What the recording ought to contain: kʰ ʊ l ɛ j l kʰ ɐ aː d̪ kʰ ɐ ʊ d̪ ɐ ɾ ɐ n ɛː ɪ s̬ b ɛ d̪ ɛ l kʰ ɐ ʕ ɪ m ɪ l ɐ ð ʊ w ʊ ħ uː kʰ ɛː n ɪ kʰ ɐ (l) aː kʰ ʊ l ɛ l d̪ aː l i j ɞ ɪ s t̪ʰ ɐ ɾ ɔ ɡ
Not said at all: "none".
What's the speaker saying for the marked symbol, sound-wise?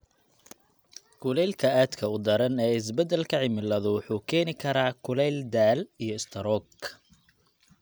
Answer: ɾ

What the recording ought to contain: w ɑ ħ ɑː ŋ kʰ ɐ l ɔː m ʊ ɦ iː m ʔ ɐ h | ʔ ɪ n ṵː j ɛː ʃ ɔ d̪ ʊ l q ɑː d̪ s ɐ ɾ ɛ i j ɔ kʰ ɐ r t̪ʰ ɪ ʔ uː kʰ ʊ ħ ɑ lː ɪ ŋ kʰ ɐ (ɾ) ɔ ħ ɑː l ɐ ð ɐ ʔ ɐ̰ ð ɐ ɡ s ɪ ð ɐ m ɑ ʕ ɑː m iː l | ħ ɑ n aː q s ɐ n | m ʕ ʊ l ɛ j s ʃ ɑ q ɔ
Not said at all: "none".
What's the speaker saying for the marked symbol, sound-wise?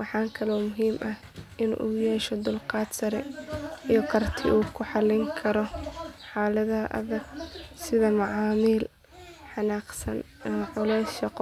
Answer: ɾ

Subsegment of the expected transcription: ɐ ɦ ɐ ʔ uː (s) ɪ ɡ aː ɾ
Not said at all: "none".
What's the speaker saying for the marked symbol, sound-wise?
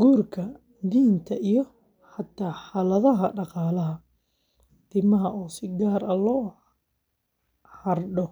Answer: s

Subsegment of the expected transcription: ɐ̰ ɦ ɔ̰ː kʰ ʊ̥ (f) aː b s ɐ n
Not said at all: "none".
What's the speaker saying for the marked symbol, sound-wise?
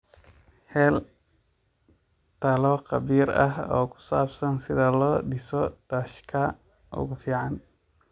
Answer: s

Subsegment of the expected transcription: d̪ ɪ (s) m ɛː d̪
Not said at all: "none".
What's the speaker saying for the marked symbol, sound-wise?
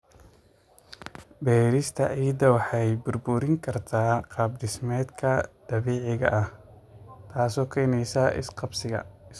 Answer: s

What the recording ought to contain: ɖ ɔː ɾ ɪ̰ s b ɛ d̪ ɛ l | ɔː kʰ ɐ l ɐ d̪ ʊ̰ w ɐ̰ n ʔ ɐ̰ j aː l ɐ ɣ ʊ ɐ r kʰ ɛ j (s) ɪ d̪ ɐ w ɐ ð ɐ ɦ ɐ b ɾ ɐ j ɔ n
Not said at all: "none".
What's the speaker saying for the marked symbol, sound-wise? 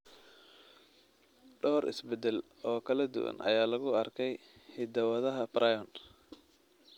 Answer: h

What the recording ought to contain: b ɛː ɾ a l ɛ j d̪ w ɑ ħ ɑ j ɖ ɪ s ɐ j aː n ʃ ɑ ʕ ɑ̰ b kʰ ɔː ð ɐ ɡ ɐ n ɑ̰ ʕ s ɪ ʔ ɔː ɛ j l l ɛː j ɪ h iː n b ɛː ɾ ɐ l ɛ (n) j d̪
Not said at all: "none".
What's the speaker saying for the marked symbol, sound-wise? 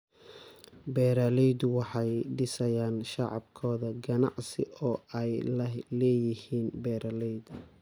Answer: none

